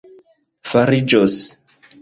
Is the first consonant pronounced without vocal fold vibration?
yes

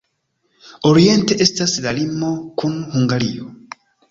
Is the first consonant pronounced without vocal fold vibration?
no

